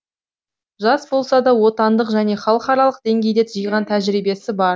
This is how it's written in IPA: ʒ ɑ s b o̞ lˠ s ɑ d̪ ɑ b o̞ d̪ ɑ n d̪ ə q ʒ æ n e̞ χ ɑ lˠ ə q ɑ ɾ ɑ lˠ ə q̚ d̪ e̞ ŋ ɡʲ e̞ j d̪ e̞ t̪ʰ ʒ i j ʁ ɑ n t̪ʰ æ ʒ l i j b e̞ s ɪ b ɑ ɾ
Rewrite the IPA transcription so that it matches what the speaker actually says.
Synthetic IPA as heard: ʒ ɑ s b o̞ lˠ s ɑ d̪ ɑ w o̞ t̪ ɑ n d̪ ə q ʒ æ n e̞ χ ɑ lˠ ə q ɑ ɾ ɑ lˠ ə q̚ d̪ e̞ ŋ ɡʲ e̞ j d̪ e̞ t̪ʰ ʒ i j ʁ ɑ n t̪ʰ æ ʒ ɾ i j b e̞ s ɪ b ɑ ɾ

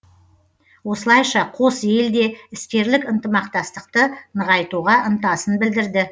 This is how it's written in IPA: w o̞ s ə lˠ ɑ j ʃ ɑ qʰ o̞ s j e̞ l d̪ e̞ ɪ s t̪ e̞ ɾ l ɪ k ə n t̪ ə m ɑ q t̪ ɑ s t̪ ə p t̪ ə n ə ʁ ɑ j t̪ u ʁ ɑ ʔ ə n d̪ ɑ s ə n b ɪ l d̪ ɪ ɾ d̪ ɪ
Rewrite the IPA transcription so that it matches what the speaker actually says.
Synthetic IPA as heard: w o̞ s ə lˠ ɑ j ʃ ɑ qʰ o̞ s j e̞ l d̪ e̞ ɪ s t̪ e̞ ɾ l ɪ k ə n t̪ ə m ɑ q t̪ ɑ s t̪ ə q t̪ ə n ə ʁ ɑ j t̪ u ʁ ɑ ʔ ə n t̪ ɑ s ə n b ɪ l d̪ ɪ ɾ d̪ ɪ

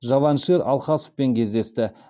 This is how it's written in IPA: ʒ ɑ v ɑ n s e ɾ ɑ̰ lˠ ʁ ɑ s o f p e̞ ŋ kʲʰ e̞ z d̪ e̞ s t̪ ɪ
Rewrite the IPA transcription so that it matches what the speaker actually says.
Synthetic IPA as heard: ʒ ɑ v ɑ n ʃ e ɾ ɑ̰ lˠ χ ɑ s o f p e̞ ŋ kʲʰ e̞ z d̪ e̞ s t̪ ɪ

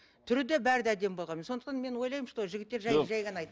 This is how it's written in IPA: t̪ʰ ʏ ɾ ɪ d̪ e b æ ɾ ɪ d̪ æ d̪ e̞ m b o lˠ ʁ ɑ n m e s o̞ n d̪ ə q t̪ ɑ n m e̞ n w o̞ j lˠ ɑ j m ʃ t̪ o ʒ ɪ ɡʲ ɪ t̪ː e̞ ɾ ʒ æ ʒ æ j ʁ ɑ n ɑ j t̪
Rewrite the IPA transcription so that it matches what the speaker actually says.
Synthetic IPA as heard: t̪ʰ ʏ ɾ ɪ d̪ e b æ ɾ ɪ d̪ æ d̪ e̞ m b o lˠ ʁ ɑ n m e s o̞ n d̪ ə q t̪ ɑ n m e̞ n w o̞ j lˠ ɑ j m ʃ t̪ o ʒ ɪ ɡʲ ɪ t̪ː e̞ ɾ ʒ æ ʒ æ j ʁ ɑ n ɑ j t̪

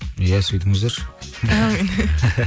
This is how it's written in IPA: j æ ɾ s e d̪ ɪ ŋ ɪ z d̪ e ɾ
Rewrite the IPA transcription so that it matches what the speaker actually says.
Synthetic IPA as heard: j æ s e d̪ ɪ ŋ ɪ z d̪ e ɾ

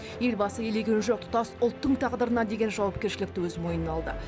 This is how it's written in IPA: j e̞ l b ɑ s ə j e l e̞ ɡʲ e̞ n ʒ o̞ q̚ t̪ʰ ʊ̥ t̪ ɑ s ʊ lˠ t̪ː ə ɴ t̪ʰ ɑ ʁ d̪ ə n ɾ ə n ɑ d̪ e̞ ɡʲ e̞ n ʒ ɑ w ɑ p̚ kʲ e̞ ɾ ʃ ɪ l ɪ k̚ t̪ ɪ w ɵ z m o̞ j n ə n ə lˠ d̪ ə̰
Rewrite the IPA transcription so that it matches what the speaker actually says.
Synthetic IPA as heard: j e̞ l b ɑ s ə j e l e̞ ɡʲ e̞ n ʒ o̞ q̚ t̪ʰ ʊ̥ t̪ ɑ s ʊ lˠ t̪ː ə ɴ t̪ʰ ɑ ʁ d̪ ə ɾ ə n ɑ d̪ e̞ ɡʲ e̞ n ʒ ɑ w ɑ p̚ kʲ e̞ ɾ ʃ ɪ l ɪ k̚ t̪ ɪ w ɵ z m o̞ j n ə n ɑ lˠ d̪ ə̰

